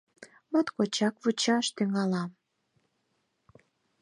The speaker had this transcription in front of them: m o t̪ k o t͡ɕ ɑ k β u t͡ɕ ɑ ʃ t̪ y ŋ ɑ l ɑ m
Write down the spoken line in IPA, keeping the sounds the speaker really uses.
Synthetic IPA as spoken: m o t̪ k o t͡ɕ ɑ k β u t͡ɕ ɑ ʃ t̪ y ŋ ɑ l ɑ m